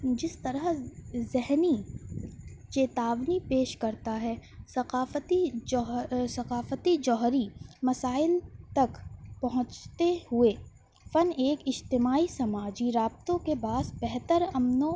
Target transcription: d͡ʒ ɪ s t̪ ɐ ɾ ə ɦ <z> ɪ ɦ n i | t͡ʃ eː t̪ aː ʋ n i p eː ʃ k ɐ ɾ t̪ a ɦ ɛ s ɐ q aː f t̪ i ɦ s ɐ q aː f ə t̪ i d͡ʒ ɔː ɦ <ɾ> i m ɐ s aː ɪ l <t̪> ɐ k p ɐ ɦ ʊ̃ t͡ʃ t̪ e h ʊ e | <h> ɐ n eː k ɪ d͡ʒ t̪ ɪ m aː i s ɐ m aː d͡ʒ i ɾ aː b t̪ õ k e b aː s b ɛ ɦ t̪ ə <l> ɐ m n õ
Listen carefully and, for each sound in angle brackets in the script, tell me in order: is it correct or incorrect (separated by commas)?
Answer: correct, correct, correct, incorrect, incorrect